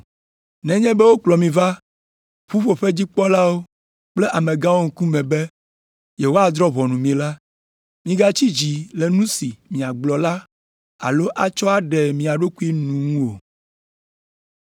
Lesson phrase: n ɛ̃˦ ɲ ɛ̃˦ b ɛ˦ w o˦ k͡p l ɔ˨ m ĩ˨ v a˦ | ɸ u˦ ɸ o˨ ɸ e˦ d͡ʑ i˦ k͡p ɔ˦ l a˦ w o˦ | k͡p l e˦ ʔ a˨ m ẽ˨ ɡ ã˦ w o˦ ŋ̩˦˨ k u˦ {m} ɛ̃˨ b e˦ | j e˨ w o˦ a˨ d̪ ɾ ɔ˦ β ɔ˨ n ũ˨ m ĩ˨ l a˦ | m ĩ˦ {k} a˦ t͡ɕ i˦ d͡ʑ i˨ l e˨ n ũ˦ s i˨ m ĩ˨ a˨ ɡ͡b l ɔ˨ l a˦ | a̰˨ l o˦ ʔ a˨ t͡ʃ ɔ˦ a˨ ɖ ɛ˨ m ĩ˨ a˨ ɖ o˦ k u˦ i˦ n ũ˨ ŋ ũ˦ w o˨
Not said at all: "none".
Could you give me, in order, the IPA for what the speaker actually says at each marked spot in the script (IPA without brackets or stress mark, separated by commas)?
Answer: m, ɡ